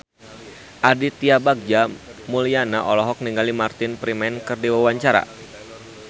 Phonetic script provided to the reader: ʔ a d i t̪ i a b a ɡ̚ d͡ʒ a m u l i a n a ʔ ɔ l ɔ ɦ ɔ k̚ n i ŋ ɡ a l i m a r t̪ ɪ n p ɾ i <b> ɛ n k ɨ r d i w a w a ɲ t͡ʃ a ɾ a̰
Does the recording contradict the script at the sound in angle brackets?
yes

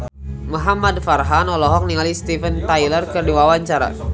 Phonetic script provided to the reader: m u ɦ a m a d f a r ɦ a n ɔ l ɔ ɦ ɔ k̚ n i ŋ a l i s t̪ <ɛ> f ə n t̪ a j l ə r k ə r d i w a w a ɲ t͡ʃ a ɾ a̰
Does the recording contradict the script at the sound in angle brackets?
yes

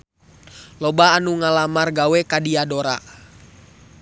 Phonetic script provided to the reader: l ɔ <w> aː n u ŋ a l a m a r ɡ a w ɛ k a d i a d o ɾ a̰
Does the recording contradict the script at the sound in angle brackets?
yes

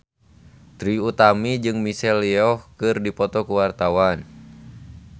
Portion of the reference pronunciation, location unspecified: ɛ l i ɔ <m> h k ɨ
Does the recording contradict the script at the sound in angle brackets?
yes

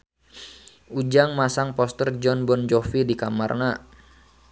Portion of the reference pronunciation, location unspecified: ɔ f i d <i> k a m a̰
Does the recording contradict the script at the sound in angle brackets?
no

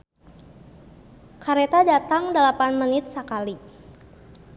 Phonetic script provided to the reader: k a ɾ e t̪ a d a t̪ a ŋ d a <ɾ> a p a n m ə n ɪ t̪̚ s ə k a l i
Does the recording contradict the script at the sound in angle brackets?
yes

